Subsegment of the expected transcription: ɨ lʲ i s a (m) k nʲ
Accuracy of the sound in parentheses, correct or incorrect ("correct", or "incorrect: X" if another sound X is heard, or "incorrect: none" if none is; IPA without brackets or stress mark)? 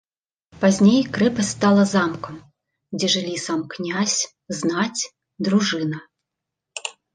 correct